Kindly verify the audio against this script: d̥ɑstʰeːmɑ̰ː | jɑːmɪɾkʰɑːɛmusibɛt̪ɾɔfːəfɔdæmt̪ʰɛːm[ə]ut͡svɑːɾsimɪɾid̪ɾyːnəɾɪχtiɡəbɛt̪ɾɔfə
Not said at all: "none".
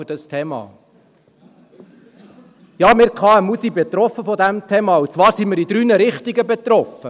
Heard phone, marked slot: ɑ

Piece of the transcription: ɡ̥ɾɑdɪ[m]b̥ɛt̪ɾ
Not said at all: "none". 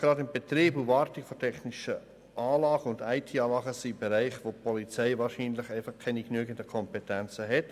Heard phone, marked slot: m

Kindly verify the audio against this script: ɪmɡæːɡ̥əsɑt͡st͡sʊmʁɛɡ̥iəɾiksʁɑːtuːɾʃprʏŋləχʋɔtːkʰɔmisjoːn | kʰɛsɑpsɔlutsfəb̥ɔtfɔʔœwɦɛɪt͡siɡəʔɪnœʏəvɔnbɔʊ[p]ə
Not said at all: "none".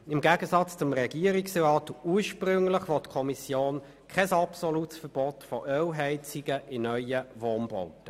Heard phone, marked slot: t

